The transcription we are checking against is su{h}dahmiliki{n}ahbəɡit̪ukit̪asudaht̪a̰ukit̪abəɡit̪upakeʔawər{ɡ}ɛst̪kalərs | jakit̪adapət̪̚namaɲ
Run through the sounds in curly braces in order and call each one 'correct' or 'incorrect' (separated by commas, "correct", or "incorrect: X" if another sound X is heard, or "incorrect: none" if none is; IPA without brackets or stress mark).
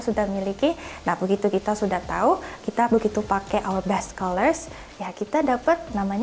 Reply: incorrect: none, correct, incorrect: b